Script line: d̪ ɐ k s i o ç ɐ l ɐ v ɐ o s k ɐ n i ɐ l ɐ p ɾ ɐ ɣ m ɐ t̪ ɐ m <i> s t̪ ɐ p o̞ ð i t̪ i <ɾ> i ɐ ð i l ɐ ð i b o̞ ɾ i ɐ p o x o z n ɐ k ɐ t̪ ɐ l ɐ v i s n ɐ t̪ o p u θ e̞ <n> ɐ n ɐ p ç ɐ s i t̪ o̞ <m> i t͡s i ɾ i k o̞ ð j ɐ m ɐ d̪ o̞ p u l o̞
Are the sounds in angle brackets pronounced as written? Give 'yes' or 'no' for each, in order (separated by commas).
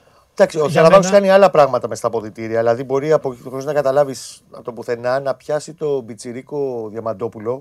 no, yes, yes, no